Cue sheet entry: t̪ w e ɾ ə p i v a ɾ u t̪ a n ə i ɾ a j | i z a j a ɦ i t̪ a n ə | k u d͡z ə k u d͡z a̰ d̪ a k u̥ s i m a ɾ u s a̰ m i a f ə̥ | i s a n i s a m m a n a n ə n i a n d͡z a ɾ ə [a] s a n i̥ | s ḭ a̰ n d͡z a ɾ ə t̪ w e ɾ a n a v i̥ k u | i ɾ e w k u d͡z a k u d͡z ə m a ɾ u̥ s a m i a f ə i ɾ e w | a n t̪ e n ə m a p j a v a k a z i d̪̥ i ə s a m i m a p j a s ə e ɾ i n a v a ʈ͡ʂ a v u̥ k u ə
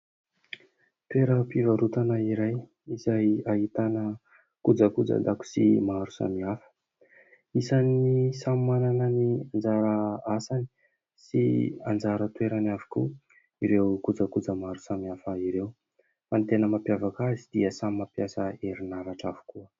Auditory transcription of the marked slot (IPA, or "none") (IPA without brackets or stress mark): a